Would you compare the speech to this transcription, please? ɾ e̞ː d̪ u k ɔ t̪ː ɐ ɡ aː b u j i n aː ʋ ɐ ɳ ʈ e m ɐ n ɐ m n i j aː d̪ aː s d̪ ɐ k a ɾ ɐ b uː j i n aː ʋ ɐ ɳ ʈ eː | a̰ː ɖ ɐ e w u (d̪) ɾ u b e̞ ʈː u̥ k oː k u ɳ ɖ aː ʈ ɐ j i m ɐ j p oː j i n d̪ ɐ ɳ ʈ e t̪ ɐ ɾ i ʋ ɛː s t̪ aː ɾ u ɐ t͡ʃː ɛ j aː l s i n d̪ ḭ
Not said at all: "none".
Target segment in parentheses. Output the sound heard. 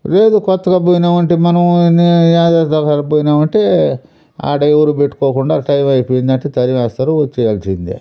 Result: none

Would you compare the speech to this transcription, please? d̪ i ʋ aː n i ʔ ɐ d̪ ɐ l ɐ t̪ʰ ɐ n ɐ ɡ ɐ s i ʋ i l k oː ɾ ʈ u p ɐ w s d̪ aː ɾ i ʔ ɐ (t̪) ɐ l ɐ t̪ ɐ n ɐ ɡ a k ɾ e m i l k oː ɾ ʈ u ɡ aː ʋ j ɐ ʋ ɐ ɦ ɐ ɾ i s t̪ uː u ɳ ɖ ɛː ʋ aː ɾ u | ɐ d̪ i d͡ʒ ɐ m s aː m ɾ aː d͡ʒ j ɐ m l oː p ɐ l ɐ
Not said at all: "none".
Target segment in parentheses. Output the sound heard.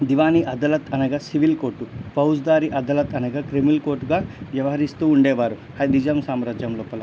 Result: d̪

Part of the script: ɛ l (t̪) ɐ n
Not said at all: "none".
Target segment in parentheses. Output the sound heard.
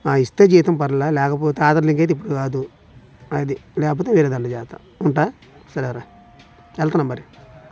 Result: t̪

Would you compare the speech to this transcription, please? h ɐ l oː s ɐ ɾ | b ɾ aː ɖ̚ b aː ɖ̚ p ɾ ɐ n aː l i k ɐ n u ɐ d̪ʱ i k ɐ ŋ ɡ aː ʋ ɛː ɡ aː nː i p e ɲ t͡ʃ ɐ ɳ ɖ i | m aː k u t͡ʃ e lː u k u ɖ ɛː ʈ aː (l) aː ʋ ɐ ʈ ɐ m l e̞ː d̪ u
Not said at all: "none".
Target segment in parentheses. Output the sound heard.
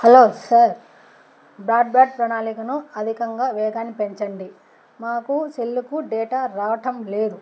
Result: ɾ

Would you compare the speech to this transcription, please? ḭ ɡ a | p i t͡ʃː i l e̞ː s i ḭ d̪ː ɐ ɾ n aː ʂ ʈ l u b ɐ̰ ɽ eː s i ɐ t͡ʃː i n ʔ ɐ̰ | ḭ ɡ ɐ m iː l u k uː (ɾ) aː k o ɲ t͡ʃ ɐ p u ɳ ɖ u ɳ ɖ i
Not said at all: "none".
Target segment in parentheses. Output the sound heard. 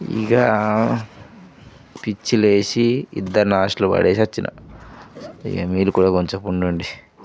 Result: ɽ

